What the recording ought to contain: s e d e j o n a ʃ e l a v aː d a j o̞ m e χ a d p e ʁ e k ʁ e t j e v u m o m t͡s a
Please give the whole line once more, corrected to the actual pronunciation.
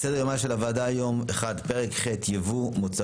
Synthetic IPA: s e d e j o m a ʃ e l a v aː d a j o̞ m e χ a d p e ʁ e k χ e t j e v u m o t͡s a